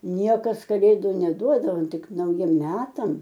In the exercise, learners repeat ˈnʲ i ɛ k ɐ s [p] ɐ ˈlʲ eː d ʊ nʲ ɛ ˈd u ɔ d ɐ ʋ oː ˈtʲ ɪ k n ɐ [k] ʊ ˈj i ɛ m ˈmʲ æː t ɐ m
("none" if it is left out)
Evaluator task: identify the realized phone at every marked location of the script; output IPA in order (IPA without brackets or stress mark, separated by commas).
k, none